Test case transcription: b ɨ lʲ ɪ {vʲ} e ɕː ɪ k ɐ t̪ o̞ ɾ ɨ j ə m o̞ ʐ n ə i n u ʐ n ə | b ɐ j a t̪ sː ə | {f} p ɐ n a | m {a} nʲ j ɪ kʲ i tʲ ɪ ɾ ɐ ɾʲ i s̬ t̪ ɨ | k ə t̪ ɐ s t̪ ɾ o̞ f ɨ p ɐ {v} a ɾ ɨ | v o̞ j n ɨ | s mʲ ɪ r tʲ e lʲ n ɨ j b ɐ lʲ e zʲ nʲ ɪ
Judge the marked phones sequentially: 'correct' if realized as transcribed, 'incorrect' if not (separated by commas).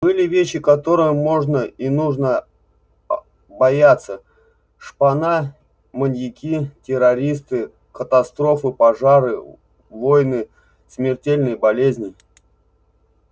correct, incorrect, incorrect, incorrect